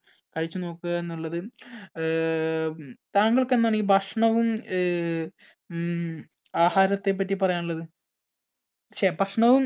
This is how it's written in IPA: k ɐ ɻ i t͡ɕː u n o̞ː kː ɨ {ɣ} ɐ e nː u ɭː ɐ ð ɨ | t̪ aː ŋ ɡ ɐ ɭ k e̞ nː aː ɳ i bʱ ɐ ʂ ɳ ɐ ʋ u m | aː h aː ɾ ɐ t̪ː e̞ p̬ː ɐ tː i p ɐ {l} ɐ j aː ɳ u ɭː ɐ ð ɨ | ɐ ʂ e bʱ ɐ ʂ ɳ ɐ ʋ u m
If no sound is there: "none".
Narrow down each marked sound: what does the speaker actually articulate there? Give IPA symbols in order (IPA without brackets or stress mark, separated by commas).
ɣ, r